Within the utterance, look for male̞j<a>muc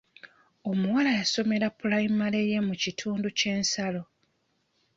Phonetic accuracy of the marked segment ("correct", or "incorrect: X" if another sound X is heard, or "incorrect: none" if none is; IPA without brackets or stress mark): incorrect: e